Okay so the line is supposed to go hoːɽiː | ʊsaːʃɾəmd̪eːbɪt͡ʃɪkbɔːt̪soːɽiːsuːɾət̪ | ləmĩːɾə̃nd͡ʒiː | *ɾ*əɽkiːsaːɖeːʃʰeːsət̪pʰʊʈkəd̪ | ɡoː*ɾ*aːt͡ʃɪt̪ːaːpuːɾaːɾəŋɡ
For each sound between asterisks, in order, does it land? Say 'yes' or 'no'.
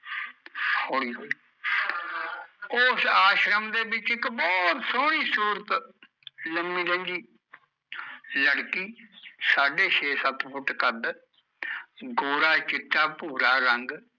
no, yes

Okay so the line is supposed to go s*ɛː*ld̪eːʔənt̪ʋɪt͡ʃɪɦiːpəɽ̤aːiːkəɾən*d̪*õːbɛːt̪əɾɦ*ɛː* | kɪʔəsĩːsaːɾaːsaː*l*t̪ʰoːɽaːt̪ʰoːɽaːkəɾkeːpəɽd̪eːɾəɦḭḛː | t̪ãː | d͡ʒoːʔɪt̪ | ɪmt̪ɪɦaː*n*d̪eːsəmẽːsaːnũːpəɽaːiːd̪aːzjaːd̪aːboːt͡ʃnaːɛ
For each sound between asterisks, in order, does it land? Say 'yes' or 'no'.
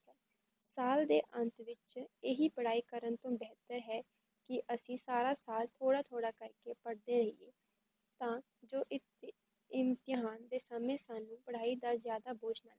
no, no, yes, yes, yes

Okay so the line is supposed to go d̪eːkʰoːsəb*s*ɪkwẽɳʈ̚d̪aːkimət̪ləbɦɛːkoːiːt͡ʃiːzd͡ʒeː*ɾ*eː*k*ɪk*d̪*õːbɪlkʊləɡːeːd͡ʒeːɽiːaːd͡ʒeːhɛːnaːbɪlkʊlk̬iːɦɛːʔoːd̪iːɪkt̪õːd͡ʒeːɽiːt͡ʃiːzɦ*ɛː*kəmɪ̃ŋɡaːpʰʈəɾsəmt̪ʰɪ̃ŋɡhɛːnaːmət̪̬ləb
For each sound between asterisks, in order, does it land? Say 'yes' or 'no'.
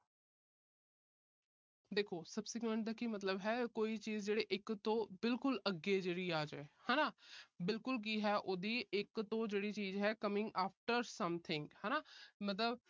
yes, no, no, no, yes

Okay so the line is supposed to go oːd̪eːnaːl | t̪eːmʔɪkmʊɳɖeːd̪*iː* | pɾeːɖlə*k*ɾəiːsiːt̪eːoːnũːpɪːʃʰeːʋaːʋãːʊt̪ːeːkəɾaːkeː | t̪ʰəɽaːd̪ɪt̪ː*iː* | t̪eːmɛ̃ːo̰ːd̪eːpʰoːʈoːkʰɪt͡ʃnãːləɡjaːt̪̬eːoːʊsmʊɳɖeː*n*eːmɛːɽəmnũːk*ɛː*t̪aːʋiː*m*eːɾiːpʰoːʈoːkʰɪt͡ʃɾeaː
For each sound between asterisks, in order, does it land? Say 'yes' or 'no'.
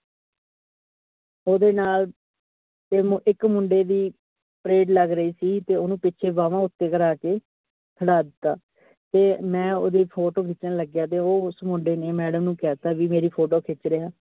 yes, no, no, yes, yes, yes

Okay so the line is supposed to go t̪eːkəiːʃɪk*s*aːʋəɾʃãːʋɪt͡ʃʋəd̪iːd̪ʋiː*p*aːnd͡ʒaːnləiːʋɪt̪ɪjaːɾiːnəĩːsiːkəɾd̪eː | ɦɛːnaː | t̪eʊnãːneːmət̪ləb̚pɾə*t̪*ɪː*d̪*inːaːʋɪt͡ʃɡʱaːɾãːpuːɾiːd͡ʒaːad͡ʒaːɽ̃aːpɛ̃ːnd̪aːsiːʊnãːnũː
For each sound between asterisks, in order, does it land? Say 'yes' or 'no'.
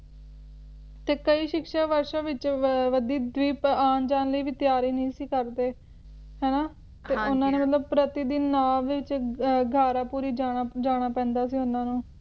no, yes, yes, yes

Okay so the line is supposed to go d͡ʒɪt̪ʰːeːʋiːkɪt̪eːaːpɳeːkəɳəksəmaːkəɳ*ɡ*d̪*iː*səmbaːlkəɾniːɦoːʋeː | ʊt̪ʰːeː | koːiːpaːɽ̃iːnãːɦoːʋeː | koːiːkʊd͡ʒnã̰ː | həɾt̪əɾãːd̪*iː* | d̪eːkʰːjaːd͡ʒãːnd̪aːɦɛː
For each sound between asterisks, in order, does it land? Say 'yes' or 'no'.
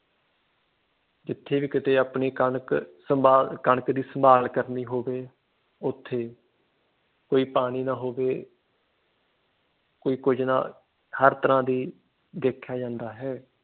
no, yes, yes

